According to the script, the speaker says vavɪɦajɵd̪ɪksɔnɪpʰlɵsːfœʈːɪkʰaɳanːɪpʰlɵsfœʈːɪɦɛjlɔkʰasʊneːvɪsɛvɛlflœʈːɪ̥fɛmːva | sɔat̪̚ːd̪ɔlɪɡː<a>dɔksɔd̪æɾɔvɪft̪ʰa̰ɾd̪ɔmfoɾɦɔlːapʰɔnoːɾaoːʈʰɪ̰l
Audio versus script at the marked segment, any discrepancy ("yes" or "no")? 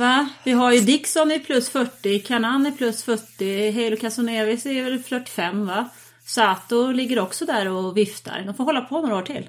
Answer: yes